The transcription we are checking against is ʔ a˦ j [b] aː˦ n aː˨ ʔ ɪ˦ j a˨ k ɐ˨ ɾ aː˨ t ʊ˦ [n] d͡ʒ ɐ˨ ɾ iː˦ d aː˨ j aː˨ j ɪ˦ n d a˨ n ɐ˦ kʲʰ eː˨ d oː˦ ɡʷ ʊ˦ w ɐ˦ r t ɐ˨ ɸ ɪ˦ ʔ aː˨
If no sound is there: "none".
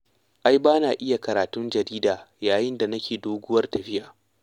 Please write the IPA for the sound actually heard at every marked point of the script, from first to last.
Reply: b, n

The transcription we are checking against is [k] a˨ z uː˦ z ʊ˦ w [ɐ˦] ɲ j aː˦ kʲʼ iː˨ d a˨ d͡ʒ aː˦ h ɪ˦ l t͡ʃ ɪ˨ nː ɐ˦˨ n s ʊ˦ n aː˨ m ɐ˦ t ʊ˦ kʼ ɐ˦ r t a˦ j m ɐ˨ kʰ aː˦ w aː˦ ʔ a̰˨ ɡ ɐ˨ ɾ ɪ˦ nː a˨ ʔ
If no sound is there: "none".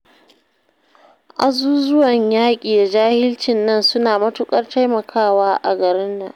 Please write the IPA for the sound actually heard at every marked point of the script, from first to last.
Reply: ʔ, ɐ˨

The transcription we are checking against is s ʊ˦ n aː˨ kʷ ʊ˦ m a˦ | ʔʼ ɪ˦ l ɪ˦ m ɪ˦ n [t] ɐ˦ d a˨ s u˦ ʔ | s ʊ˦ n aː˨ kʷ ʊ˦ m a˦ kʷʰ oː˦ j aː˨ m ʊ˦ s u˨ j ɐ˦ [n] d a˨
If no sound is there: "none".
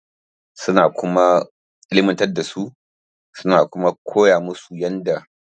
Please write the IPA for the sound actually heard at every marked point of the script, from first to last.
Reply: t, n

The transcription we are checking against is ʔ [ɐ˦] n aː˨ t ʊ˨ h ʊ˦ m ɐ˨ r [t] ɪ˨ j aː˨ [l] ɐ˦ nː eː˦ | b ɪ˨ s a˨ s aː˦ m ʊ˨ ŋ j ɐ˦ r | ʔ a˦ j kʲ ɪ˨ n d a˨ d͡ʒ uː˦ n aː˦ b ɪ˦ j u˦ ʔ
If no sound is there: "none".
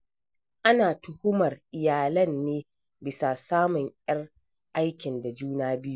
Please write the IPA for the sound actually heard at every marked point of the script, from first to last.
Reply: a˦, ʔ, l

